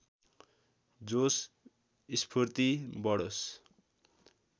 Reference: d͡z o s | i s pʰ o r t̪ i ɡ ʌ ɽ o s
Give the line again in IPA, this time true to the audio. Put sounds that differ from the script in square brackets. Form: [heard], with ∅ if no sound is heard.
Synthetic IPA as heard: d͡z o s | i s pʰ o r t̪ i [b] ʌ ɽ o s